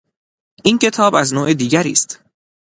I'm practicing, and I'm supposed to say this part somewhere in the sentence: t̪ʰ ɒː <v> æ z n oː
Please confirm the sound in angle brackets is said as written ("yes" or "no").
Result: no